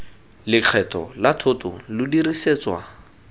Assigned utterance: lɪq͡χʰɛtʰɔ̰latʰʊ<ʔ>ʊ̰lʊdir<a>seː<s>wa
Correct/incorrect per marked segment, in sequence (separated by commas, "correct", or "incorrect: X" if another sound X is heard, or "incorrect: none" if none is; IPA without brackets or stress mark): incorrect: t, incorrect: i, incorrect: t͡s